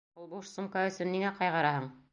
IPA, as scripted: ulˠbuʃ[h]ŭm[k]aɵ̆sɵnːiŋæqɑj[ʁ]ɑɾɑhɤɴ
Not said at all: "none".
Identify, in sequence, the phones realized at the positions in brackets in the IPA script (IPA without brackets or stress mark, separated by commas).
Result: s, k, ʁ